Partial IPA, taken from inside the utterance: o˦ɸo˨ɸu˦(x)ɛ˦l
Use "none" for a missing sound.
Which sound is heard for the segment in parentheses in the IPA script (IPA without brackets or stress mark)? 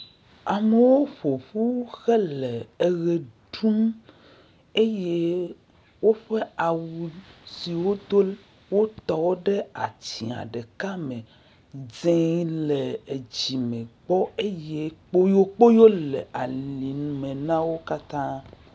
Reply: x